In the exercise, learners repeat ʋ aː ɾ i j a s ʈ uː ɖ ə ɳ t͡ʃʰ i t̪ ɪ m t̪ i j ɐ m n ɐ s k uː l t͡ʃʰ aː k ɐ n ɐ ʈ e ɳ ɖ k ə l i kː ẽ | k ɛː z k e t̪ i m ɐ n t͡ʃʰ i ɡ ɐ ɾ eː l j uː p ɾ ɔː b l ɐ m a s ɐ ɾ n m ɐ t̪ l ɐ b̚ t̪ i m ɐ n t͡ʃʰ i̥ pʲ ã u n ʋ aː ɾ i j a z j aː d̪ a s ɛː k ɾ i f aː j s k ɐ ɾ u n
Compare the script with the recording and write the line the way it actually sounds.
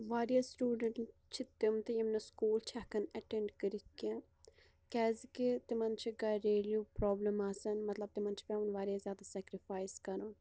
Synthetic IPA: ʋ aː ɾ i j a s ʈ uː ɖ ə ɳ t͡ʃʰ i t̪ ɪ m t̪ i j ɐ m n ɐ s k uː l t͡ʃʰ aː k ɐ n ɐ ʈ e ɳ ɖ k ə ɾ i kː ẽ | k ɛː z k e t̪ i m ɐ n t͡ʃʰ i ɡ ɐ ɾ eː l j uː p ɾ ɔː b l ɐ m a s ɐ n m ɐ t̪ l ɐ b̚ t̪ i m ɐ n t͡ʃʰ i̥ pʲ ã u n ʋ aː ɾ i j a z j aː d̪ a s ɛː k ɾ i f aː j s k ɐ ɾ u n